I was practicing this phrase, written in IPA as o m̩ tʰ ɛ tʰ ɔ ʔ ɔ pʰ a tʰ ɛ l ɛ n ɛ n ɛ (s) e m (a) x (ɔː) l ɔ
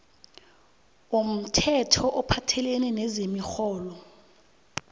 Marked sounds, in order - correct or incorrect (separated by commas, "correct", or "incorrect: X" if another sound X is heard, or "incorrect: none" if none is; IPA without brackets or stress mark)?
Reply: incorrect: z, incorrect: i, correct